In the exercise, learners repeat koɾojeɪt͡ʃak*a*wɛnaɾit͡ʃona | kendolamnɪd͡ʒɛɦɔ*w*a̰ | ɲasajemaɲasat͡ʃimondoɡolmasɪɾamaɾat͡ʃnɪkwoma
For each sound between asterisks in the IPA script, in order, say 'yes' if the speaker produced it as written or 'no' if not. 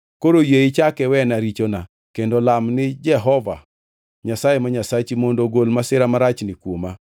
no, no

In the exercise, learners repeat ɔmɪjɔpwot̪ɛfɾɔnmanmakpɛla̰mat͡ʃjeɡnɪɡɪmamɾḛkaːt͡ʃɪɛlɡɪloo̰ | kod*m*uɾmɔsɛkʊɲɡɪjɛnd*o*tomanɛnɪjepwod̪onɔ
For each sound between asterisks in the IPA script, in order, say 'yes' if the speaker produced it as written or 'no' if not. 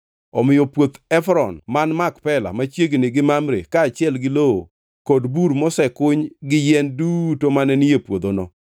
no, no

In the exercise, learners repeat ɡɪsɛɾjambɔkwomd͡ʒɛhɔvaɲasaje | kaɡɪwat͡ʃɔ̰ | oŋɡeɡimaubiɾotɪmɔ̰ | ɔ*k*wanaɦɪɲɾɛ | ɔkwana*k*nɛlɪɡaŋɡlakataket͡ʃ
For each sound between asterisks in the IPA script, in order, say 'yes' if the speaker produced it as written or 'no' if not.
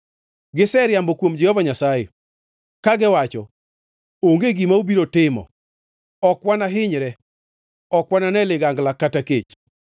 yes, no

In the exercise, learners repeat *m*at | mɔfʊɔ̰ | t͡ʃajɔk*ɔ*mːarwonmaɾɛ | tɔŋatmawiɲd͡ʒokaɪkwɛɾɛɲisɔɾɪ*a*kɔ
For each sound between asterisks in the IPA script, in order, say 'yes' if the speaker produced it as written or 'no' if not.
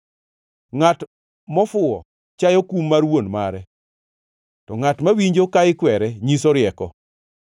no, no, no

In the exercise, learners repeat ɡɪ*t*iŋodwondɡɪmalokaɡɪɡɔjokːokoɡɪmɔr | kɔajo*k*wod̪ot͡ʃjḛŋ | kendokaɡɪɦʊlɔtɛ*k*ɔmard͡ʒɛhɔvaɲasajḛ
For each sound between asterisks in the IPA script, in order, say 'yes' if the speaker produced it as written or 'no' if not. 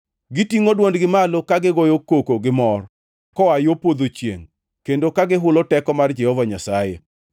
yes, no, yes

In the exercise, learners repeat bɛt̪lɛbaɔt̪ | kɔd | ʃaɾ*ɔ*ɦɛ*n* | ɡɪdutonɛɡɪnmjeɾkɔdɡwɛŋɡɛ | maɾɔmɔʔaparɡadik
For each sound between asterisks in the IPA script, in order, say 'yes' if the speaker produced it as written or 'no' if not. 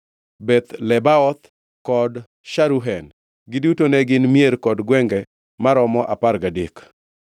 no, yes

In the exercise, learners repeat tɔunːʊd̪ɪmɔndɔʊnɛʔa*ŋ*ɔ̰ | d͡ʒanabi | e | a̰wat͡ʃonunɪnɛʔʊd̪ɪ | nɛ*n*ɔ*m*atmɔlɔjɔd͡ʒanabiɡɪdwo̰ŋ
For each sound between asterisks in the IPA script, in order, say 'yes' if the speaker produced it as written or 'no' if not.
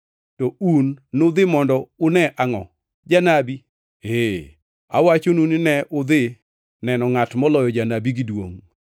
yes, yes, no

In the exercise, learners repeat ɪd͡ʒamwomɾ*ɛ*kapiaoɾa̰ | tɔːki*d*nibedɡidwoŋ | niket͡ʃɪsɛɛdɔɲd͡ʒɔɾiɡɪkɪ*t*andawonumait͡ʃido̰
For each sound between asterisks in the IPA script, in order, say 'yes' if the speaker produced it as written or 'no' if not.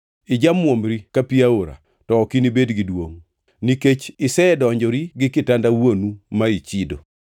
no, no, yes

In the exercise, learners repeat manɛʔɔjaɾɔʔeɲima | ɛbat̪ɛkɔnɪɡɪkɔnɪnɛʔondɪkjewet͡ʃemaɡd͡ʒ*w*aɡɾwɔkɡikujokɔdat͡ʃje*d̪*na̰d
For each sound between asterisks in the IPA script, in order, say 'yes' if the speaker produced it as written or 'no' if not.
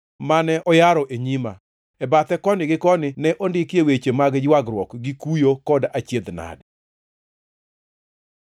yes, yes

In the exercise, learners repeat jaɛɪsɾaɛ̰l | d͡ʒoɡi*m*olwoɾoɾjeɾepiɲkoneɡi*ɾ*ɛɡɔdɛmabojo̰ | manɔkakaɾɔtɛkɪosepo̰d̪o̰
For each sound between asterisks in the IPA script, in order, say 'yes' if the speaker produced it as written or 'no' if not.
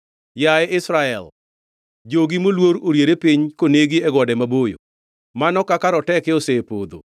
yes, no

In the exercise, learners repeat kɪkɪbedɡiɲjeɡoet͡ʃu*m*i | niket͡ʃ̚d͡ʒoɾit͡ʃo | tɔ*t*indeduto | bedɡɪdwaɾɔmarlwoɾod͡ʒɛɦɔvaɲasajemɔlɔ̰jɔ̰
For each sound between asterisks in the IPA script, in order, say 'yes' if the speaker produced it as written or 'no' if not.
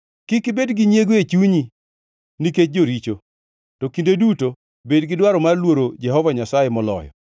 no, no

